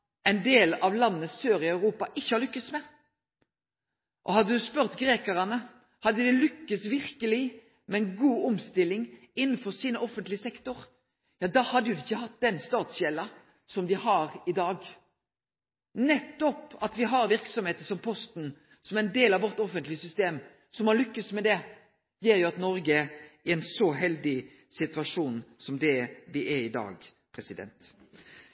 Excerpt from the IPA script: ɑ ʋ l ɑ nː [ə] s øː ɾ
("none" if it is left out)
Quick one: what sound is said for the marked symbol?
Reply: ə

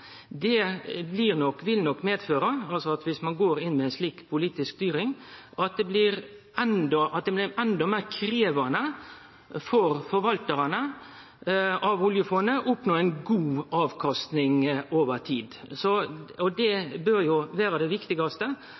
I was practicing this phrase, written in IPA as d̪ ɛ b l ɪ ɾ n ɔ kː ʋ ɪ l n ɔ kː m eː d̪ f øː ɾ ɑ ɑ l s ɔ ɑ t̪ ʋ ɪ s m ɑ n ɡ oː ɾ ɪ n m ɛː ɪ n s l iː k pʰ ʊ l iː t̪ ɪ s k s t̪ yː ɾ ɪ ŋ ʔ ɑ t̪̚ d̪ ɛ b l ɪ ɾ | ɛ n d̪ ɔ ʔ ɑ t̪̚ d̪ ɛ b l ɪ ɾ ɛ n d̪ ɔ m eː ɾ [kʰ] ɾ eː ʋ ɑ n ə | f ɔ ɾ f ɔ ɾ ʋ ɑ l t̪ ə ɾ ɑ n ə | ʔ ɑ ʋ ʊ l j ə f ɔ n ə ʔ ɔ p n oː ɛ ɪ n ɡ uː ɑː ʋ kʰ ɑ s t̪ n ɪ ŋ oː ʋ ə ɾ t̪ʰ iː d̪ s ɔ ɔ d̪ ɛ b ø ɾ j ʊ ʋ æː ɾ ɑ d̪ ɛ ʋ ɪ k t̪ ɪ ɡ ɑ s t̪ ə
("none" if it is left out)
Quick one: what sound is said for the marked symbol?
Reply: kʰ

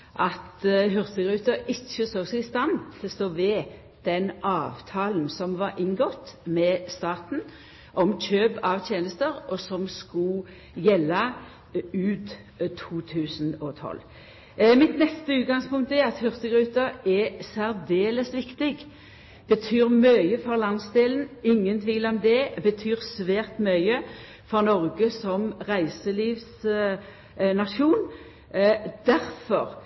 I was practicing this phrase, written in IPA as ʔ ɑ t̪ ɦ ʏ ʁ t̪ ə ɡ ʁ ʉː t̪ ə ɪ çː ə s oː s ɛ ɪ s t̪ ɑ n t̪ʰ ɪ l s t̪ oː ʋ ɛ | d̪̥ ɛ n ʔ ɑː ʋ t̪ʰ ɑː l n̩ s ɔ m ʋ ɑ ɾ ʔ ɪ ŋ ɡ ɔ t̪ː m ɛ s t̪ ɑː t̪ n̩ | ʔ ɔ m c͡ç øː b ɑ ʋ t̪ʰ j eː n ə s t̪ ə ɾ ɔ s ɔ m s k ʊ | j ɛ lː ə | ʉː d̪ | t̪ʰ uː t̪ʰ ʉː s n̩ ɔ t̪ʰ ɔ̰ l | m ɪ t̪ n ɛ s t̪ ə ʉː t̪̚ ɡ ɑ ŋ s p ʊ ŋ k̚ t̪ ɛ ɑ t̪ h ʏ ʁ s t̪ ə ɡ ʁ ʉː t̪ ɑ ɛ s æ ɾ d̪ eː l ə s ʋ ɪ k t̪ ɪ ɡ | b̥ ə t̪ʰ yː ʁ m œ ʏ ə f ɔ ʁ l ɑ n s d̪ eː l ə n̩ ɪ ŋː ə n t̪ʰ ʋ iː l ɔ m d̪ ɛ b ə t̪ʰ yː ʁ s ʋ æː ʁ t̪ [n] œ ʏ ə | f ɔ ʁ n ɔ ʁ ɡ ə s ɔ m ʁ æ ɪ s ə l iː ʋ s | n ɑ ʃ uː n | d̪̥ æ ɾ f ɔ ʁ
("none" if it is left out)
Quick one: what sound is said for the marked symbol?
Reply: m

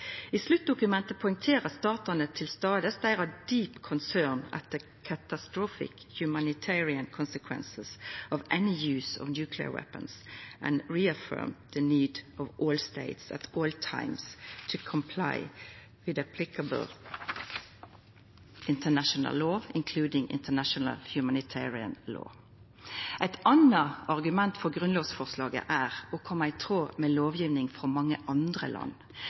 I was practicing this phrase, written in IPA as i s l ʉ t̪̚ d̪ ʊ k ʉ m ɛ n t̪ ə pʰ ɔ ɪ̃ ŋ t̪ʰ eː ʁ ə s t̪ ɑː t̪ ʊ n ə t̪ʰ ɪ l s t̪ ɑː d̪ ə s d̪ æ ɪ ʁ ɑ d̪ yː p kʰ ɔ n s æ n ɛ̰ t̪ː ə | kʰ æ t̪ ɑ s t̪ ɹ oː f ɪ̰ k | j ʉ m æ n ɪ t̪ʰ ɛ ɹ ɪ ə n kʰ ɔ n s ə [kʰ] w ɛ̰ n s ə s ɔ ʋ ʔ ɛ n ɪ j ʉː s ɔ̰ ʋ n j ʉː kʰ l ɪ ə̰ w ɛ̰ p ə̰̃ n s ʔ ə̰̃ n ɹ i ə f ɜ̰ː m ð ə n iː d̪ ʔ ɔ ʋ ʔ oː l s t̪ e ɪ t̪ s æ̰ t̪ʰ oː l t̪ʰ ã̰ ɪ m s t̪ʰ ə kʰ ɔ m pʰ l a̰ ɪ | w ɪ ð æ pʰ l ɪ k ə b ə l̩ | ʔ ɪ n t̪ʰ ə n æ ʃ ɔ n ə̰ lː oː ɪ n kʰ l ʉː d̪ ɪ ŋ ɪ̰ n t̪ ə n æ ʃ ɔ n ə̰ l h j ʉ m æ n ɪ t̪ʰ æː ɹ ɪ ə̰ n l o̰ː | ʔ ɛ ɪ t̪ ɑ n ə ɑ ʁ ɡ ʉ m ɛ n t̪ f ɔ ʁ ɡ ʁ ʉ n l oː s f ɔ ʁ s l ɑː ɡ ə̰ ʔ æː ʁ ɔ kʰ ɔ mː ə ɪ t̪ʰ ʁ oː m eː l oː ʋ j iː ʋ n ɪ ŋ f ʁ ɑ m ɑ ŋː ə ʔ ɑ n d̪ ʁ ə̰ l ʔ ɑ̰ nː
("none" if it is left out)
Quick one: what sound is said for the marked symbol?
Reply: kʰ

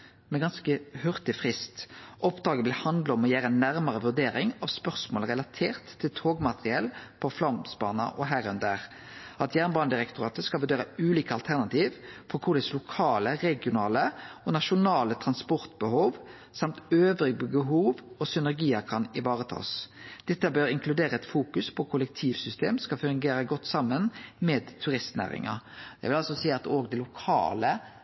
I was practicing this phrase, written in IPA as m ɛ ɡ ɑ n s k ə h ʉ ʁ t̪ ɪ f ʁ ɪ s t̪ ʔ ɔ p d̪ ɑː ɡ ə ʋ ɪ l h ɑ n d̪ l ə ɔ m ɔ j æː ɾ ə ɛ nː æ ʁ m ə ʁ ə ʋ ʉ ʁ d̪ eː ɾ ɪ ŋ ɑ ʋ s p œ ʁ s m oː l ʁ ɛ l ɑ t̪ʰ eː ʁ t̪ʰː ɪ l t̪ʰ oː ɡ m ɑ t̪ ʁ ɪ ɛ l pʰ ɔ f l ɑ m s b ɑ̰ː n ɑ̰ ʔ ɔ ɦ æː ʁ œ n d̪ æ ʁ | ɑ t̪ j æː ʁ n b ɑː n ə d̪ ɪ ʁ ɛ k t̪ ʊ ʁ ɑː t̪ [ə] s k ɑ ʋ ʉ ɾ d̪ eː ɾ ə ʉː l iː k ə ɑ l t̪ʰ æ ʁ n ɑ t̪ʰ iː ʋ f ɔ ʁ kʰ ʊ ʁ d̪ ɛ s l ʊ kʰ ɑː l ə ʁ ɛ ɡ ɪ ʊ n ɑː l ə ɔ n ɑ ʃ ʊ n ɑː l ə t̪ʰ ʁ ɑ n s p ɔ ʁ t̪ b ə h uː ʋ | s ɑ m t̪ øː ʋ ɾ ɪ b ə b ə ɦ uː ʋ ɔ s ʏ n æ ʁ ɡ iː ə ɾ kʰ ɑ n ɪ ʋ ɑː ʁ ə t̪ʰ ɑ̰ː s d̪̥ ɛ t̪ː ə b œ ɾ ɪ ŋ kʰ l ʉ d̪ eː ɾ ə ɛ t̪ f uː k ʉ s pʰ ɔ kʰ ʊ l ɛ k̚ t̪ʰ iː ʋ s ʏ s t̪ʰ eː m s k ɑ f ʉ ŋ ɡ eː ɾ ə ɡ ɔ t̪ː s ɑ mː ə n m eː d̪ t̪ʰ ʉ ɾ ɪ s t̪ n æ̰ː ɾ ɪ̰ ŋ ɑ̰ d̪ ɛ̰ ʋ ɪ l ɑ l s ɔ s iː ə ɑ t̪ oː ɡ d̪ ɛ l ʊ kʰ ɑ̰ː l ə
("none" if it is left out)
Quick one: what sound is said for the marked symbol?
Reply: ə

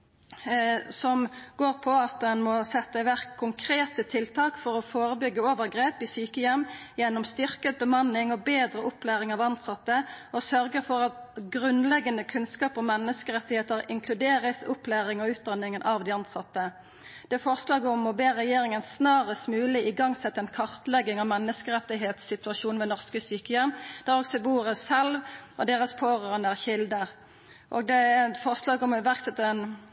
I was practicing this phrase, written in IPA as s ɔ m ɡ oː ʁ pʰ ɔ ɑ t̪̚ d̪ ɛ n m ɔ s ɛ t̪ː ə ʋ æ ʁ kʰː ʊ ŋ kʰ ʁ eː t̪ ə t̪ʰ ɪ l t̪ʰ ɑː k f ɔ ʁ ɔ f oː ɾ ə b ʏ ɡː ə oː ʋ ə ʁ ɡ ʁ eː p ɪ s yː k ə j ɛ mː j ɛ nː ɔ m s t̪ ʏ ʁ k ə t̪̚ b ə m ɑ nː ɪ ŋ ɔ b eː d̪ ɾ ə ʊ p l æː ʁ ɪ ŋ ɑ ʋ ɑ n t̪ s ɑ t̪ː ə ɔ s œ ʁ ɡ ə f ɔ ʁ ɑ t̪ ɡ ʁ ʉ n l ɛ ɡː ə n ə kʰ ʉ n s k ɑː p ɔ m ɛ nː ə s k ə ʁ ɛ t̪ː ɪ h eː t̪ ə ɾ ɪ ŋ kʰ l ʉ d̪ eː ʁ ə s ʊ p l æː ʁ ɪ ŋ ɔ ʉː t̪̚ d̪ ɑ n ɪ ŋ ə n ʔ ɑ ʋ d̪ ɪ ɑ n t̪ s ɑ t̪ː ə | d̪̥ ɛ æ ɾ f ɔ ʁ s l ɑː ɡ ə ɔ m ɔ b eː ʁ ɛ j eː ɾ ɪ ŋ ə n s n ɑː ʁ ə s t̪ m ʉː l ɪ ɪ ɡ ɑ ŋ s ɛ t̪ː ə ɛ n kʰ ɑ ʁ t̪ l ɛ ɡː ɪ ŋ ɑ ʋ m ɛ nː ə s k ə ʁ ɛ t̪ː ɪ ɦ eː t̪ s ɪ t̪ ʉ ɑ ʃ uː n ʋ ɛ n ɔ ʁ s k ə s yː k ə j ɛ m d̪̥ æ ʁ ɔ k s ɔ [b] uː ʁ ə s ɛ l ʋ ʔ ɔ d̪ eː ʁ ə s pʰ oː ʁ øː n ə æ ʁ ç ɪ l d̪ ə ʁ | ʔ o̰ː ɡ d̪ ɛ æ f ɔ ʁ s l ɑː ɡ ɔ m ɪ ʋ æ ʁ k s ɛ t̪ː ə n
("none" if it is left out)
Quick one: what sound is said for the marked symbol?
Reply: b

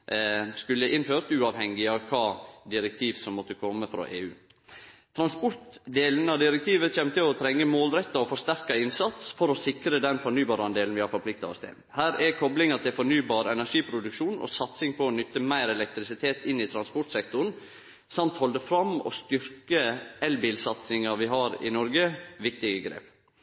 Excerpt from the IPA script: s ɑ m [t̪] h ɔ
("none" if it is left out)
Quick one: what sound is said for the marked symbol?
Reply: t̪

